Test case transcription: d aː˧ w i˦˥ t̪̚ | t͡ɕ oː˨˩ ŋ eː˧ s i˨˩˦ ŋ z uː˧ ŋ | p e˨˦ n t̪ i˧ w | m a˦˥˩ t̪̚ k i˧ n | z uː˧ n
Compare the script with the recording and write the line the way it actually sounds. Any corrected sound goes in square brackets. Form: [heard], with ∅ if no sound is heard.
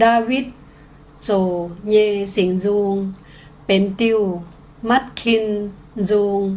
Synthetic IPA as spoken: d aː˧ w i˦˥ t̪̚ | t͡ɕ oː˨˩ [ɲ] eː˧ s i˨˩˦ ŋ z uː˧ ŋ | p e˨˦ n t̪ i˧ w | m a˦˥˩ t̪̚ [kʰ] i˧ n | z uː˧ [ŋ]

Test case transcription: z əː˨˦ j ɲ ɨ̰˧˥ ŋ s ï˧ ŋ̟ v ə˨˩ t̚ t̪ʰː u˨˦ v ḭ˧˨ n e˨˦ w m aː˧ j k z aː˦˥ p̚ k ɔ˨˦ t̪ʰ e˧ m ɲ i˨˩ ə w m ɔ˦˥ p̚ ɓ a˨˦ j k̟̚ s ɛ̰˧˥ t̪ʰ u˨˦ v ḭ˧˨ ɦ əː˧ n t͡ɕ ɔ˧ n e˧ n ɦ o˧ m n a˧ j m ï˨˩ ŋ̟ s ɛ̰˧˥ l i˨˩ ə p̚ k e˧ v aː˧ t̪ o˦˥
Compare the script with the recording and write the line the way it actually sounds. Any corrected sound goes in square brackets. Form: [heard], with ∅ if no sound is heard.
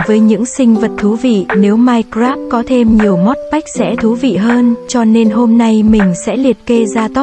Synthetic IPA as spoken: [v] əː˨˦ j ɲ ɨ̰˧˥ ŋ s ï˧ ŋ̟ v ə˨˩ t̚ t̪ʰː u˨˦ v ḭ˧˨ n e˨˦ w m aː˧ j k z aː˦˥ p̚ k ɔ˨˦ t̪ʰ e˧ m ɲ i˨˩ ə w m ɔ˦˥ [t̚] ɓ [a˦˥] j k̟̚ s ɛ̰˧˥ t̪ʰ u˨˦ v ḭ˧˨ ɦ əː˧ n t͡ɕ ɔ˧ n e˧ n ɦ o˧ m n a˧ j m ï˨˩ ŋ̟ s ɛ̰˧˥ l i˨˩ ə [t̚] k e˧ [z] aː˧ t̪ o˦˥

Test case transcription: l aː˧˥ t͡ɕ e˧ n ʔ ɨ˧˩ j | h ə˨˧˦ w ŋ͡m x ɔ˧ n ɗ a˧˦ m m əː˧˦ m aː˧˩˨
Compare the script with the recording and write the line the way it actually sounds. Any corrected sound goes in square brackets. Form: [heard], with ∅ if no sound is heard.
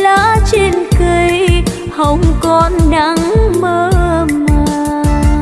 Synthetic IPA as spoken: l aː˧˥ t͡ɕ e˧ n [k] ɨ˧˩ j | h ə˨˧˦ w ŋ͡m [k] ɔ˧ n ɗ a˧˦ [ŋ] m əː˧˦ m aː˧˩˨

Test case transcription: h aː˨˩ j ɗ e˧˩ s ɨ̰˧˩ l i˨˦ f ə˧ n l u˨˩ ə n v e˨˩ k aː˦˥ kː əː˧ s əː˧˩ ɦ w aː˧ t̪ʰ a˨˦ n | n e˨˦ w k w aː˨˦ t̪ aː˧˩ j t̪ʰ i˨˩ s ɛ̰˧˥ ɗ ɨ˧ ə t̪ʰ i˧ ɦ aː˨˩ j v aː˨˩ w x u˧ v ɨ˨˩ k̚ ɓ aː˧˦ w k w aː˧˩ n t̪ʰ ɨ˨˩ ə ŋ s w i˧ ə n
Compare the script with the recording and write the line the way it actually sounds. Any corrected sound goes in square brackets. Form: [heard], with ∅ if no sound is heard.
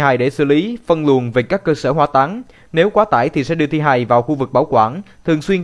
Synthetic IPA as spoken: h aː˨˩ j ɗ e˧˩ s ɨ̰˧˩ l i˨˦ f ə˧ n l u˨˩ ə n v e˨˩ k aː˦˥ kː əː˧ s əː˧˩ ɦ w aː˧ [t̪] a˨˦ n | n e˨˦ w k w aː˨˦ t̪ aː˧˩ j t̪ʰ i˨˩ s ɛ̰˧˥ ɗ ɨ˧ ə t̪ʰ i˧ ɦ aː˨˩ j v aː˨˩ w x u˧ v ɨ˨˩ k̚ ɓ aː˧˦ w k w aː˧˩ n t̪ʰ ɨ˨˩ ə ŋ s w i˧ ə n

